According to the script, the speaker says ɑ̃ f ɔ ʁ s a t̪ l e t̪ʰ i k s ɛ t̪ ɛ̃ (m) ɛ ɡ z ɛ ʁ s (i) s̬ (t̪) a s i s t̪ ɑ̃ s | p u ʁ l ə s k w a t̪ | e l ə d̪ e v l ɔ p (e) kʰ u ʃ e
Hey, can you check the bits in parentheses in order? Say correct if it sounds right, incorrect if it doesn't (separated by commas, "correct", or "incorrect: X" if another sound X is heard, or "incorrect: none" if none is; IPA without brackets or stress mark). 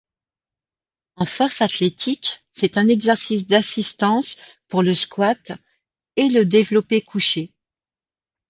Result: incorrect: n, correct, incorrect: d̪, correct